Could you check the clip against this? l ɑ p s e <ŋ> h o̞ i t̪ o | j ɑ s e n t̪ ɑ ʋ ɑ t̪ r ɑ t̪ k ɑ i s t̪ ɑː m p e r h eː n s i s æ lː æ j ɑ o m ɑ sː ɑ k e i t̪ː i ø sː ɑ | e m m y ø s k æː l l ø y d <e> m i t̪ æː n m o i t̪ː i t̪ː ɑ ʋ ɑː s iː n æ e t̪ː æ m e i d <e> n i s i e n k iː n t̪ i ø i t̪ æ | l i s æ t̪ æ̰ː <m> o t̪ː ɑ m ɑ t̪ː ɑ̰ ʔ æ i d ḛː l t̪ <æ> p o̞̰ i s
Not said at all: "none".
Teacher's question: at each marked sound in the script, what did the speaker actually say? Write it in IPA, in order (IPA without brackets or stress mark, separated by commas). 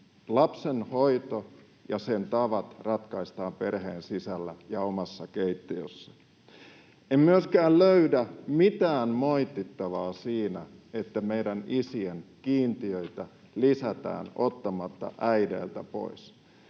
n, æ, æ, n, æ